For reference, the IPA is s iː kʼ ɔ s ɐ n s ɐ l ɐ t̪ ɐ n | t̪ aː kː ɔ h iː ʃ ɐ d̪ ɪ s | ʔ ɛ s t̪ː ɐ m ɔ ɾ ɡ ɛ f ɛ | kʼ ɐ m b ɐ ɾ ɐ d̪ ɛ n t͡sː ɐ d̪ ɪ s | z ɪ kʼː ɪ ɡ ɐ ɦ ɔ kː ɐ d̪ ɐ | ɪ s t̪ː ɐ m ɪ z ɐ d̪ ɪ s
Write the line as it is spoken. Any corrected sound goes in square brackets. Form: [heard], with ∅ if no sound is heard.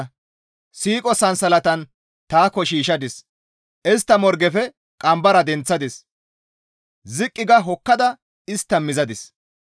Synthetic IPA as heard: s iː kʼ ɔ s ɐ n s ɐ l ɐ t̪ ɐ n | t̪ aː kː ɔ [ʃ] iː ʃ ɐ d̪ ɪ s | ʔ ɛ s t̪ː ɐ m ɔ ɾ ɡ ɛ f ɛ | kʼ ɐ m b ɐ ɾ ɐ d̪ ɛ n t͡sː ɐ d̪ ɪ s | z ɪ kʼː ɪ ɡ ɐ ɦ ɔ kː ɐ d̪ ɐ | ɪ s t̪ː ɐ m ɪ z ɐ d̪ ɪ s